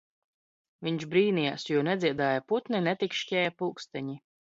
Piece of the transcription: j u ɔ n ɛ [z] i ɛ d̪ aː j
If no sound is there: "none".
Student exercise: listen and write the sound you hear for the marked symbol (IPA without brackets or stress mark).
z